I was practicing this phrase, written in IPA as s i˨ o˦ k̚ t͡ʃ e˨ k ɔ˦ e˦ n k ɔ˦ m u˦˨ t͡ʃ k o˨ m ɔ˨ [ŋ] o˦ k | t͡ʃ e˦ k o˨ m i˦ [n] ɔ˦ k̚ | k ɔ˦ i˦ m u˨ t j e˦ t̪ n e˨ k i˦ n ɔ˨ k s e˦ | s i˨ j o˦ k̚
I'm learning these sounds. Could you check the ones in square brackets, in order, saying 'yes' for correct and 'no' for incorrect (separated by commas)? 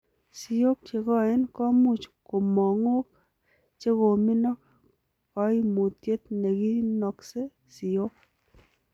yes, yes